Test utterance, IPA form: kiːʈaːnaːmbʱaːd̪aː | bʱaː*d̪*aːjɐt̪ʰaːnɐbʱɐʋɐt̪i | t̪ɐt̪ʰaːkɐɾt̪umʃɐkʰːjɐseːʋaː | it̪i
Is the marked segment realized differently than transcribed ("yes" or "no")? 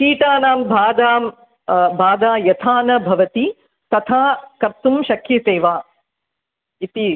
no